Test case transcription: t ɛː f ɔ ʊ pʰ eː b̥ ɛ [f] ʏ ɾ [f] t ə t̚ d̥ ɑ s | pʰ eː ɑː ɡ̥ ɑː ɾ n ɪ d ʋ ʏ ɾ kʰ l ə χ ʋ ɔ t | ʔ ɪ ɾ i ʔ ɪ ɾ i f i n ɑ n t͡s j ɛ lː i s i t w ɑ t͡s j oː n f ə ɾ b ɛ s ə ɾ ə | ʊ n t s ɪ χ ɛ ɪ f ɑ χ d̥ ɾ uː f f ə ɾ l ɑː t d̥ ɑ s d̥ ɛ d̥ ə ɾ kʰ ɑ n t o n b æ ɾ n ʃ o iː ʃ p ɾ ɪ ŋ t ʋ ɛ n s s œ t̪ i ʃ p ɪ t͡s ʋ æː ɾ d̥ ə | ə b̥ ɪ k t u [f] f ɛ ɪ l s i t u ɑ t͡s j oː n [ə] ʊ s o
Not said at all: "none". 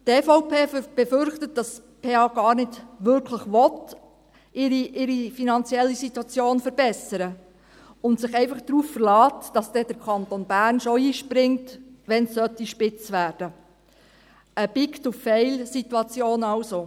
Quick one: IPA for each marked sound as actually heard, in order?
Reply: f, χ, f, ɑ

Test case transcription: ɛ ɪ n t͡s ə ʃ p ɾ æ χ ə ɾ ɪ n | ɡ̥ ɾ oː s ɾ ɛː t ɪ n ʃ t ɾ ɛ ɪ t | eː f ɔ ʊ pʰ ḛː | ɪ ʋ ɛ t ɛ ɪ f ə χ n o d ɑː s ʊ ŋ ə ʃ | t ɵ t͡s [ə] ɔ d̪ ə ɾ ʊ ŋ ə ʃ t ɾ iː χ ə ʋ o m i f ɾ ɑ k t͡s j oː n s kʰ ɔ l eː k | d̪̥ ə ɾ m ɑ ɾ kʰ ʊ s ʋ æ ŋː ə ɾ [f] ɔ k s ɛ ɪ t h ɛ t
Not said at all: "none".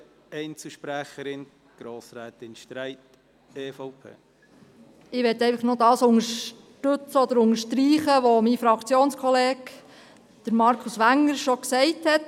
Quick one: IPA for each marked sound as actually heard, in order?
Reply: ə, ʃ

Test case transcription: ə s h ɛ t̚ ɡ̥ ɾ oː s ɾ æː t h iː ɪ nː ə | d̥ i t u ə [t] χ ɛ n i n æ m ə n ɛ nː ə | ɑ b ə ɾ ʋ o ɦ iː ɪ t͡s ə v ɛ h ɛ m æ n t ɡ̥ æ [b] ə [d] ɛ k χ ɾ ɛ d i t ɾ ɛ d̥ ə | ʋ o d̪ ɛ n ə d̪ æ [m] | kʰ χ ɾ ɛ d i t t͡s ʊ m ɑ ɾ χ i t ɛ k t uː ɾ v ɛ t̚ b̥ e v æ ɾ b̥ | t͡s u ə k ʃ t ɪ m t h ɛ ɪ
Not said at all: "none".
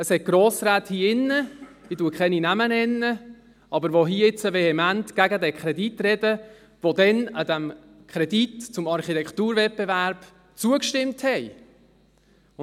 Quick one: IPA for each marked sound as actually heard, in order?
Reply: k, ɡ, d, m

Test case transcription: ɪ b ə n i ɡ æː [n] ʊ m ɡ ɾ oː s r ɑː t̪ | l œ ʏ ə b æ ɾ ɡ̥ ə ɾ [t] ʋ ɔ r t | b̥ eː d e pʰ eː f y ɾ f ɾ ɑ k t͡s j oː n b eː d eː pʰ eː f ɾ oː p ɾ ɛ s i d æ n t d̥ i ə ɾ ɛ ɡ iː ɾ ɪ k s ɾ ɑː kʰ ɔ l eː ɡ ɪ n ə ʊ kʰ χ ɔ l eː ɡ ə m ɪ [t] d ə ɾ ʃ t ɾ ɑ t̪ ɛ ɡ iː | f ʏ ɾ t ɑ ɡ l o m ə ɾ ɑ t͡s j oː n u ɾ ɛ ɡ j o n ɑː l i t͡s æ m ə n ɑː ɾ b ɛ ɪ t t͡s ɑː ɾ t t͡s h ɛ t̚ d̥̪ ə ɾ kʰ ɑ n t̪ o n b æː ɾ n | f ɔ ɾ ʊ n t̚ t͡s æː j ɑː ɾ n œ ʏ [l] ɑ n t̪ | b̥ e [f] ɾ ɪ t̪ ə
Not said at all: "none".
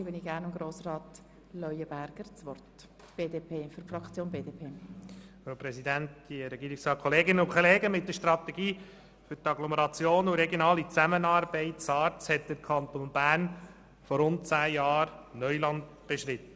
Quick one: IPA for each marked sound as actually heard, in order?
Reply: n, t͡s, t, l, ʃ

